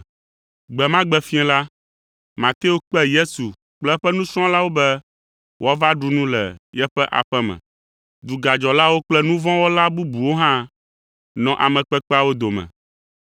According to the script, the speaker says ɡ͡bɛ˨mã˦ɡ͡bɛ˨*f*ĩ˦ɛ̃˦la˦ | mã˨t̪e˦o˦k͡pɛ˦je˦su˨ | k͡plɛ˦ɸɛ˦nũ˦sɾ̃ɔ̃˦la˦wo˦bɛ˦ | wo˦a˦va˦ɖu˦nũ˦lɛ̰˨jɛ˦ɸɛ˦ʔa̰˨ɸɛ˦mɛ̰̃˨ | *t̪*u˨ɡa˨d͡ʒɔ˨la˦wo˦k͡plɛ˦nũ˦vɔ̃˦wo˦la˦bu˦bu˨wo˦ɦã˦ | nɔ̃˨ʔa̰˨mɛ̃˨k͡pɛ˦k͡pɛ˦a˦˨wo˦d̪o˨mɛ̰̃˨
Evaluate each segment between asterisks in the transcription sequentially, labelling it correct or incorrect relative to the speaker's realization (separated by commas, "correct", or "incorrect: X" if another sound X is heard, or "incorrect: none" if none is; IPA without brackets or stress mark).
correct, incorrect: d̪